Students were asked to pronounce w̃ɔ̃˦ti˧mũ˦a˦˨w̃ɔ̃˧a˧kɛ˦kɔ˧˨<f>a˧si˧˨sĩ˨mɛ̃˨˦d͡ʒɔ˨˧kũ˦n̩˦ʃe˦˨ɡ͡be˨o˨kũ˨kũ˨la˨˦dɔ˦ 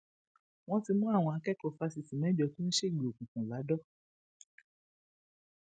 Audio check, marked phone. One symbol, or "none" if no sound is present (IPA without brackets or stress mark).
f